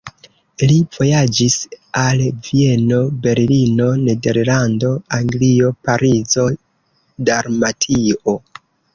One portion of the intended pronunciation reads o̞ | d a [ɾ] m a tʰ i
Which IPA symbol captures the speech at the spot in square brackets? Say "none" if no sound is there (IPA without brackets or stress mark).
ɾ